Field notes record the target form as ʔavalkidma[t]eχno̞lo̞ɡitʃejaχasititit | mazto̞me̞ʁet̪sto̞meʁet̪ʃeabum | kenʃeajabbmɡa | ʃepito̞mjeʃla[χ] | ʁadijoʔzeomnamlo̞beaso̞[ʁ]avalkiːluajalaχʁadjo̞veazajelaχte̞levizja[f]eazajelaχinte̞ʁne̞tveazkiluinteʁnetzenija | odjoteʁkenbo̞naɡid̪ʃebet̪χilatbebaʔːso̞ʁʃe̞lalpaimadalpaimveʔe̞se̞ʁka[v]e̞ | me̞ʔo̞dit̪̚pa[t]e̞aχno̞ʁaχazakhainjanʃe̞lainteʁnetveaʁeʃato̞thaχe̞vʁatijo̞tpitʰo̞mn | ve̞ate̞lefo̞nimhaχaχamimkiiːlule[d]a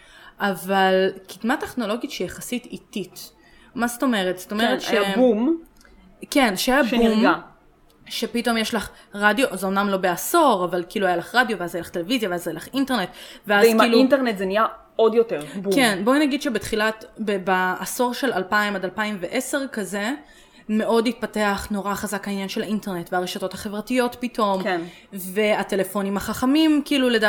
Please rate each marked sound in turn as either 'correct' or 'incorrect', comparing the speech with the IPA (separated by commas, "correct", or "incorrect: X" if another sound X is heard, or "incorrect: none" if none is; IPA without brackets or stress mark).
correct, correct, correct, incorrect: v, incorrect: z, correct, correct